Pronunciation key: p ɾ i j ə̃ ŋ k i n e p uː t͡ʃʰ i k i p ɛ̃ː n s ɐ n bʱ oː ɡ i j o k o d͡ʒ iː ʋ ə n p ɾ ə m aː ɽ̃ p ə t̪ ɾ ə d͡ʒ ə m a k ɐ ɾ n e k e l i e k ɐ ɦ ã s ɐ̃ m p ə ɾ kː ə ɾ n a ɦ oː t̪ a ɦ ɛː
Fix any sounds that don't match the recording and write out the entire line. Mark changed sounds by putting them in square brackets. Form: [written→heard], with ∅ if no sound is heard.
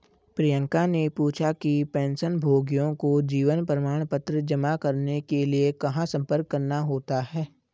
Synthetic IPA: p ɾ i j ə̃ ŋ k [i→a] n e p uː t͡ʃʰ [i→a] k i p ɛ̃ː n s [ɐ→ə] n bʱ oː ɡ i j [o→õ] k o d͡ʒ iː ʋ ə n p ɾ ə m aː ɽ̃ p ə t̪ ɾ ə d͡ʒ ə m a k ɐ ɾ n e k e l i e k ɐ ɦ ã s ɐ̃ m p ə ɾ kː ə ɾ n a ɦ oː t̪ a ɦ ɛː

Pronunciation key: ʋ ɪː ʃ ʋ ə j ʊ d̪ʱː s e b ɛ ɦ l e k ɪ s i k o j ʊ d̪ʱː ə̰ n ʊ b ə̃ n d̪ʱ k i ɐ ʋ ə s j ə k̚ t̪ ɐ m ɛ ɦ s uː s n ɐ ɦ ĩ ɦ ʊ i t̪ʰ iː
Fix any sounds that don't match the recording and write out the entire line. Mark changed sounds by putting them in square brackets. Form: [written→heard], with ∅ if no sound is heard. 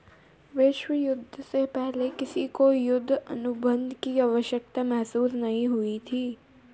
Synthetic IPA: ʋ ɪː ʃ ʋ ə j ʊ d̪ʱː s e [b→p] ɛ ɦ l e k ɪ s i k o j ʊ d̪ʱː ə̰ n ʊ b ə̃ n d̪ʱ k i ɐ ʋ ə [s→ʃ] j ə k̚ t̪ [ɐ→a] m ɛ ɦ s uː s n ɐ ɦ ĩ ɦ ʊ i t̪ʰ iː

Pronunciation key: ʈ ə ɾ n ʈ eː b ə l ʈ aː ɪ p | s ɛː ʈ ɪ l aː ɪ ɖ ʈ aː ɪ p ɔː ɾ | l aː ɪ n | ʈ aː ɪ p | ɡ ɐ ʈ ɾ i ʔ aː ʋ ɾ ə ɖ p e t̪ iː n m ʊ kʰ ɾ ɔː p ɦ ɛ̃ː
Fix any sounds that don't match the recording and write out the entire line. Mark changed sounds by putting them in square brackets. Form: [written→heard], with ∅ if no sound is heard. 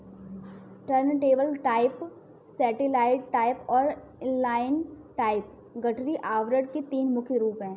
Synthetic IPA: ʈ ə ɾ n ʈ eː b ə l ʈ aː ɪ p | s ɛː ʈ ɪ l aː ɪ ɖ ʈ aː ɪ p ɔː ɾ | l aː ɪ n | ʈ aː ɪ p | ɡ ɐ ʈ ɾ i ʔ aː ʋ ɾ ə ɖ [p→k] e t̪ iː n m ʊ kʰ ɾ [ɔː→uː] p ɦ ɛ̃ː

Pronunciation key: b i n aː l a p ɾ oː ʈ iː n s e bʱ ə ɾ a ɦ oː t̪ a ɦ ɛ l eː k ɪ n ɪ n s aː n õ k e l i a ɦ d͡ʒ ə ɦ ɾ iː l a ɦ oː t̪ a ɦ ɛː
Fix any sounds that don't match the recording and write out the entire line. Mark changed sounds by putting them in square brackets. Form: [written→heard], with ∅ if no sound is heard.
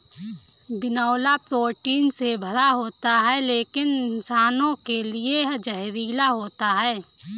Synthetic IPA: b [i→ɪ] n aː l a p ɾ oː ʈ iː n s e bʱ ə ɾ a ɦ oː t̪ a ɦ ɛ l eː k ɪ n ɪ n s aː n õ k e l i [a→e] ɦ d͡ʒ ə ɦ ɾ iː l a ɦ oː t̪ a ɦ ɛː

